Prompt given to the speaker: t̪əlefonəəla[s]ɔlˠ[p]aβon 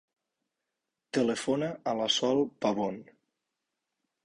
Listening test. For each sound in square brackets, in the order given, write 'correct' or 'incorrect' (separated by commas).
correct, correct